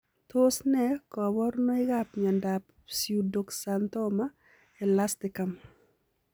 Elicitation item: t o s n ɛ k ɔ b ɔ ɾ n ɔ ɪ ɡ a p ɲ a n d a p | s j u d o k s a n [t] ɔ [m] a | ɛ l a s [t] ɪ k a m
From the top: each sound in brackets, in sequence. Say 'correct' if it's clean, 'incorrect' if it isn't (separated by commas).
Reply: correct, correct, correct